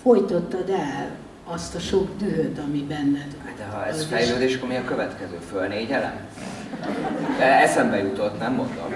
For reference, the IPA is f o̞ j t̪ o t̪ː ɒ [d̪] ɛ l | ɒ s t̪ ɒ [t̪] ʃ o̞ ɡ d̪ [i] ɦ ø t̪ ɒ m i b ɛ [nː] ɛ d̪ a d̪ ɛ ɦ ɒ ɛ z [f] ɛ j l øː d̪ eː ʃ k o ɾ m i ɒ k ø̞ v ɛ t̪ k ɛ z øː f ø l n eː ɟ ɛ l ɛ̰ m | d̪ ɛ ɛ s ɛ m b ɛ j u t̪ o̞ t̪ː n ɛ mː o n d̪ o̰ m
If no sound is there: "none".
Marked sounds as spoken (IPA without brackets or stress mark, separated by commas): d̪, none, y, nː, f